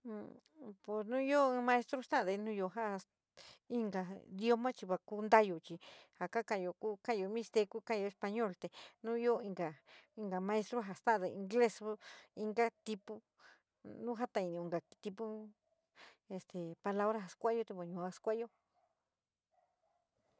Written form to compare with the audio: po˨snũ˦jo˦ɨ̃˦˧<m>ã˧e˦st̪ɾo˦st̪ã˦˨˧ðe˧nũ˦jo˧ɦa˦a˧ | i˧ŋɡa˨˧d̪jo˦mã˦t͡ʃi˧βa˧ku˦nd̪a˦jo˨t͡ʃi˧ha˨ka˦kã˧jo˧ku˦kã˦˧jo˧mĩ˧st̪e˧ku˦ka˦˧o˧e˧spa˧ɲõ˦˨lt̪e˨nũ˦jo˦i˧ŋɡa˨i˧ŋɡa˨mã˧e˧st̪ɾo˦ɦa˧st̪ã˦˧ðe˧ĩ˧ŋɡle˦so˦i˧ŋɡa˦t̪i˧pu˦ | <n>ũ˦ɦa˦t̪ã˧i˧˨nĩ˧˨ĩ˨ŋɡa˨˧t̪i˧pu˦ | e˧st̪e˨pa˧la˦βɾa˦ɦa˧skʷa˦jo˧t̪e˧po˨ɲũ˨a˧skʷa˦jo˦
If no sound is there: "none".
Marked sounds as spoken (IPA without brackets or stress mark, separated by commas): m, n